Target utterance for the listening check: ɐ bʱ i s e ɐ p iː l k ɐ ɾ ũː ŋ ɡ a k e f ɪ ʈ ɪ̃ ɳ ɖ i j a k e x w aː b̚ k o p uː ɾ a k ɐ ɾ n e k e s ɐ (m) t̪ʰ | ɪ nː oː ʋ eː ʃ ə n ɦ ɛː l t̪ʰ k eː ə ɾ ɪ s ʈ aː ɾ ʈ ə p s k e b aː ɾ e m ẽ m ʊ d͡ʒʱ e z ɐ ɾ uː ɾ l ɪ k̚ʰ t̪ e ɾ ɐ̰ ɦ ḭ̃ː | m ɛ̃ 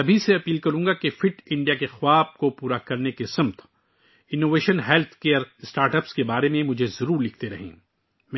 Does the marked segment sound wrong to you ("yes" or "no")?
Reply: no